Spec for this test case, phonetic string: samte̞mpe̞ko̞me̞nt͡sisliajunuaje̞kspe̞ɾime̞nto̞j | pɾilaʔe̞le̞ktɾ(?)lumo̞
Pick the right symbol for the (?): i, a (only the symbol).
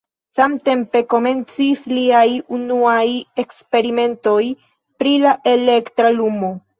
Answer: a